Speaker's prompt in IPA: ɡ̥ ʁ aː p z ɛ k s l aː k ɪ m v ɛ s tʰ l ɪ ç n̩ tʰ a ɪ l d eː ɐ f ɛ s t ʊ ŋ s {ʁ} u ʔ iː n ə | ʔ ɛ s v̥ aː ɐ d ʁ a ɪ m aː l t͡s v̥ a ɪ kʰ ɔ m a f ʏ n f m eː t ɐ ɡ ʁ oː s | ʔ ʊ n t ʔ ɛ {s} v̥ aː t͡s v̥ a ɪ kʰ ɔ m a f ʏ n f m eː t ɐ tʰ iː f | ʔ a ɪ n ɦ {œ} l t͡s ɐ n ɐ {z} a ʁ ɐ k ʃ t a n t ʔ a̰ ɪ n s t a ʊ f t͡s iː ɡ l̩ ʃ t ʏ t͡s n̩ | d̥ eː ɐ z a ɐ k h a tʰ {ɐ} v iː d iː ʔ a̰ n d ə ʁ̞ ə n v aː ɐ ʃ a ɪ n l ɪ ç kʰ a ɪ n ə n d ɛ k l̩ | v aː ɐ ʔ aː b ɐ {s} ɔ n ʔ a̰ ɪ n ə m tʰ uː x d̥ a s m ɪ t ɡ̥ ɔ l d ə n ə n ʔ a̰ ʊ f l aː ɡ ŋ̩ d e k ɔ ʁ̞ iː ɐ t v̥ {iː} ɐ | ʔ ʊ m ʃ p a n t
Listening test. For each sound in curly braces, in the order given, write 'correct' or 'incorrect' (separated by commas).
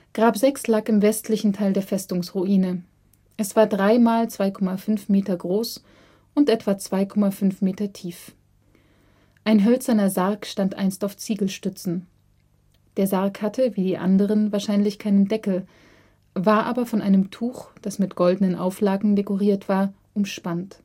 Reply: correct, incorrect, correct, correct, incorrect, incorrect, incorrect